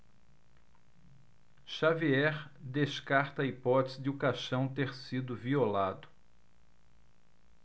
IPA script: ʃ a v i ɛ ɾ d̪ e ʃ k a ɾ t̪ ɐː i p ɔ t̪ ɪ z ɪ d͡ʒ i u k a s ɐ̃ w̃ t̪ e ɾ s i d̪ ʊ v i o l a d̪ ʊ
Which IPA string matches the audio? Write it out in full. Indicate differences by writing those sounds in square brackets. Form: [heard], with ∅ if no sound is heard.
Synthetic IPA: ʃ a v i ɛ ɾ d̪ e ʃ k a ɾ t̪ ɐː i p ɔ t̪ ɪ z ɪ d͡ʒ [ɪ] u k a [ʃ] ɐ̃ w̃ t̪ e ɾ s i d̪ ʊ v i o l a d̪ ʊ